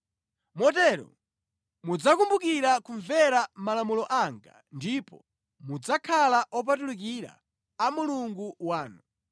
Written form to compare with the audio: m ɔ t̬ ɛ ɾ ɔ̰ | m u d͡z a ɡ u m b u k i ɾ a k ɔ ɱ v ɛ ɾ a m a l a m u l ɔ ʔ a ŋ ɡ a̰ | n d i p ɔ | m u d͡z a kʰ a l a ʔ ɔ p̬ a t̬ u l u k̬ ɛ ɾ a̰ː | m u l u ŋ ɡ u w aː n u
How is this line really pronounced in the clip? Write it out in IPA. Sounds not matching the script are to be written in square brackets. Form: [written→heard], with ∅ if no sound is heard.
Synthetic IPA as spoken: m ɔ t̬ ɛ ɾ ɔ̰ | m u d͡z a [ɡ→k] u m b u k i ɾ a k [ɔ→u] ɱ v ɛ ɾ a m a l a m u l ɔ ʔ a ŋ ɡ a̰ | n d i p ɔ | m u d͡z a kʰ a l a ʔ ɔ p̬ a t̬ u l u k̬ [ɛ→i] ɾ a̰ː | m u l u ŋ ɡ u w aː n u